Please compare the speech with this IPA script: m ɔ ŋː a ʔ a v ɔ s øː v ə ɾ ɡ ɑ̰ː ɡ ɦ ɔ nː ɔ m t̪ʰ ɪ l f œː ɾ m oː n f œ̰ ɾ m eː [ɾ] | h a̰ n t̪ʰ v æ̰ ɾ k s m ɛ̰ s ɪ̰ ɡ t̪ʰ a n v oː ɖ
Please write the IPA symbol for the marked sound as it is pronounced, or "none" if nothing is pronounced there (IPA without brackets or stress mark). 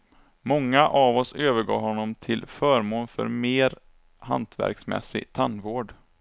ɾ